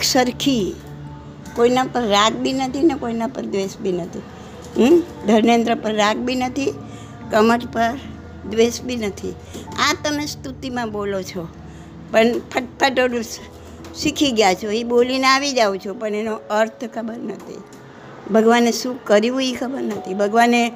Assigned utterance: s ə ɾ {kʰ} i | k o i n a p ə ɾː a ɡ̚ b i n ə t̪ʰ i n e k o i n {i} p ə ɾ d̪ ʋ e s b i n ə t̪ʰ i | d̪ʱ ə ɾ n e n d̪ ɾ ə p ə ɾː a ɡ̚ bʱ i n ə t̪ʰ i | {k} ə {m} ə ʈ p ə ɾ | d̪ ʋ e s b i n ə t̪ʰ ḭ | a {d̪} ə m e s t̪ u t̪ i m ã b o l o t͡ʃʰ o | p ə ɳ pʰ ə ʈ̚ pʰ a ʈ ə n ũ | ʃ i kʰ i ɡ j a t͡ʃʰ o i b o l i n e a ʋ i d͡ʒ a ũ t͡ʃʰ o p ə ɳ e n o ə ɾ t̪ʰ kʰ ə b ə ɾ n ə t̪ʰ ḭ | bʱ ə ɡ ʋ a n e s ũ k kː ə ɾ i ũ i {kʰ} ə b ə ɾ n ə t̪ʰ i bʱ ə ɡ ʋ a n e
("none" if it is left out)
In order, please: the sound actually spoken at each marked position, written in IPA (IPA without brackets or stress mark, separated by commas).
kʰ, a, k, m, t̪, kʰ